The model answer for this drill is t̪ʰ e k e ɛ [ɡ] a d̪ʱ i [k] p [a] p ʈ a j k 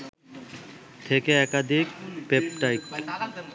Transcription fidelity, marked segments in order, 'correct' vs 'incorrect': incorrect: k, correct, incorrect: e

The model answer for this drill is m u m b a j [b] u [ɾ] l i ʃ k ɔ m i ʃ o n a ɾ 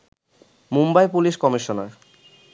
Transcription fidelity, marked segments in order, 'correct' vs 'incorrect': incorrect: p, incorrect: none

